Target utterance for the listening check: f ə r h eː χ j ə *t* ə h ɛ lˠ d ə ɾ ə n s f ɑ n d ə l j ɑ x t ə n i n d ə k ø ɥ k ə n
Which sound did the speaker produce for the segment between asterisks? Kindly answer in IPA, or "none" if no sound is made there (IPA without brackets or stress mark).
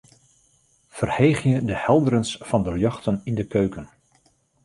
d